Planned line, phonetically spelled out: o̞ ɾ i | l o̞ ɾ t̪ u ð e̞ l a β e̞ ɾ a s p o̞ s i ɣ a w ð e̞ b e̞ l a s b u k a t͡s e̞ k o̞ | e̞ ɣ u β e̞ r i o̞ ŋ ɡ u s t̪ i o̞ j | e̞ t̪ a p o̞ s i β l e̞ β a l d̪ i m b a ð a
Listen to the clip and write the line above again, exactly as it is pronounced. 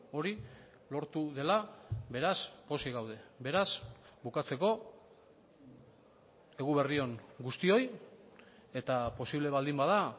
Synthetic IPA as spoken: o̞ ɾ i | l o̞ ɾ t̪ u ð e̞ l a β e̞ ɾ a s p o̞ s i ɣ a w ð e̞ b e̞ ɾ a s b u k a t͡s e̞ k o̞ | e̞ ɣ u β e̞ r i o̞ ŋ ɡ u s t̪ i o̞ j | e̞ t̪ a p o̞ s i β l e̞ β a l d̪ i m b a ð a